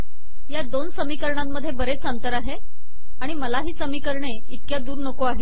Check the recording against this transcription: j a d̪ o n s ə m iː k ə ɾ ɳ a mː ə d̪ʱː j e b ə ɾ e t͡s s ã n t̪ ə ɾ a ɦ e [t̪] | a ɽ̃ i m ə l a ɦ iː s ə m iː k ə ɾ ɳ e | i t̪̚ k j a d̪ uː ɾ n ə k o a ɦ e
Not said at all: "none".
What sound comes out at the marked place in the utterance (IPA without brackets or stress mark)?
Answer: none